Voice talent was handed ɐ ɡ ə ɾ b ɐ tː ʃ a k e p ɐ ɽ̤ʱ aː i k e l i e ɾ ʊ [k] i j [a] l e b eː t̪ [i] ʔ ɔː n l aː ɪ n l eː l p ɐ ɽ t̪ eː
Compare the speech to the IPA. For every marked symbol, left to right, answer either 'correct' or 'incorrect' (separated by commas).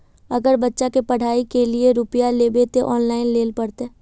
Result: incorrect, correct, incorrect